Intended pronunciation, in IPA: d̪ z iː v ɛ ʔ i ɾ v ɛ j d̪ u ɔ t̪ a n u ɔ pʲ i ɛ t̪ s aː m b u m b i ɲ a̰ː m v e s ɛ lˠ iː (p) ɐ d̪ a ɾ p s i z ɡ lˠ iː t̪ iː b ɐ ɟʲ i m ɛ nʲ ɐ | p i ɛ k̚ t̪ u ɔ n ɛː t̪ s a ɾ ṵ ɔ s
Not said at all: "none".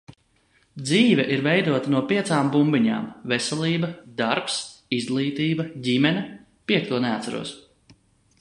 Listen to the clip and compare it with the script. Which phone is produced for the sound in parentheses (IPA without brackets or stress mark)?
b